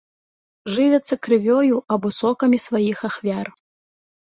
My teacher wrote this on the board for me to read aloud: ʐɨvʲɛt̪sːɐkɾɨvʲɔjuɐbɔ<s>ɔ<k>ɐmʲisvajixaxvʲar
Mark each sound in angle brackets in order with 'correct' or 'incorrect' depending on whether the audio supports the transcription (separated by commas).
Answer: correct, correct